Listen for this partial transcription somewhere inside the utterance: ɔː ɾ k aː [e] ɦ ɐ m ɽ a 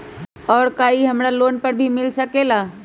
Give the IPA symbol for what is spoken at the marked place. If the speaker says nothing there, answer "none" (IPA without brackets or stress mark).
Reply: i